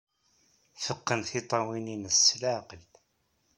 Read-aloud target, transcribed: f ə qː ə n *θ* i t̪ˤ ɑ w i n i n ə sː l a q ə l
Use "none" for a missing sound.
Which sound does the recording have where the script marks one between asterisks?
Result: θ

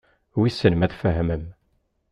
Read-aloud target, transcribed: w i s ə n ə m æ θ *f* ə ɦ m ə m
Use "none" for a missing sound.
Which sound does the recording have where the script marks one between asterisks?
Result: f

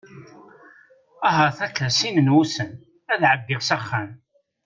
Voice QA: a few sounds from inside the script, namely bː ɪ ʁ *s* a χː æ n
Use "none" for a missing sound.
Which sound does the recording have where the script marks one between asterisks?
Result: s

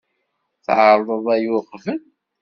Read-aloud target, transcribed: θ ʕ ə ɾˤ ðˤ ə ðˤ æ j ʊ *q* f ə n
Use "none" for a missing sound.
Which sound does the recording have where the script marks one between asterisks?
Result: q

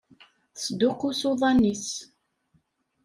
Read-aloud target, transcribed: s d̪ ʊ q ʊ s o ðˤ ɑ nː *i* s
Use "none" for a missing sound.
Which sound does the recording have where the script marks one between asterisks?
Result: i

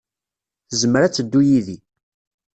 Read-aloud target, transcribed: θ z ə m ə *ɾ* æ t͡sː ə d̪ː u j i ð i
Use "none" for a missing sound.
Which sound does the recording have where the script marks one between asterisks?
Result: ɾ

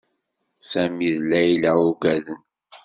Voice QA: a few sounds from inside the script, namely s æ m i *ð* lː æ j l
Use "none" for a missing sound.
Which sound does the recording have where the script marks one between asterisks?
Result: ð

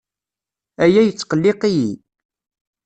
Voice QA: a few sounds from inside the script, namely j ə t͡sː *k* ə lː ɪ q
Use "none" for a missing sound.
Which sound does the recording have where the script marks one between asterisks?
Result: q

